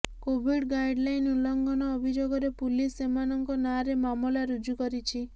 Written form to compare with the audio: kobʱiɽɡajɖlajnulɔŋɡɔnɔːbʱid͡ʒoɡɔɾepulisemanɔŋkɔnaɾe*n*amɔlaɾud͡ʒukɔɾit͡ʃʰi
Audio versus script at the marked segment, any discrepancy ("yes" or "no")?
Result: yes